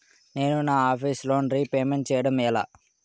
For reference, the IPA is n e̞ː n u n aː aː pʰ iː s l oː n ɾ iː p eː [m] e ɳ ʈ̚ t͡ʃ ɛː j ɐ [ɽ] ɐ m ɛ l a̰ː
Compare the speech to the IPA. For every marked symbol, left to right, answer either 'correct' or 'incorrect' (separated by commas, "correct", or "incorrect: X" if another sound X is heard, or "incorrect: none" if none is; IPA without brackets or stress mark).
correct, correct